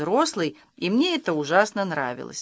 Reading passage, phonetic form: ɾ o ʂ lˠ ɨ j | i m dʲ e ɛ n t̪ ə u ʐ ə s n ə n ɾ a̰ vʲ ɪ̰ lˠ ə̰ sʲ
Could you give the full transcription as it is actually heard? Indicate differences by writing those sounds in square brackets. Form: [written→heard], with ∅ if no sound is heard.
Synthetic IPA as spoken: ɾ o [ʂ→s] lˠ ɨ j | i m [dʲ→nʲ] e ɛ [n→∅] t̪ ə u ʐ [ə→a] s n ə n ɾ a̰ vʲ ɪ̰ lˠ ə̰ sʲ